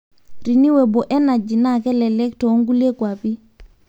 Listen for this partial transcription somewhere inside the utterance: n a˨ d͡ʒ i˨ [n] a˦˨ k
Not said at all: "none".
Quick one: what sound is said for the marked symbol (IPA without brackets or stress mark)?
n